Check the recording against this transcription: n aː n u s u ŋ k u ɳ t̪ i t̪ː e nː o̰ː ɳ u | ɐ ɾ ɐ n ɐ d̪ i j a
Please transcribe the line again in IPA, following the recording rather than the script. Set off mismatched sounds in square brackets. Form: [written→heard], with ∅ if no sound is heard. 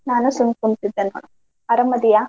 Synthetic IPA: n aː n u s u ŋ k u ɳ t̪ i [t̪ː→d̪ː] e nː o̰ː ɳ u | ɐ ɾ ɐ [n→m] ɐ d̪ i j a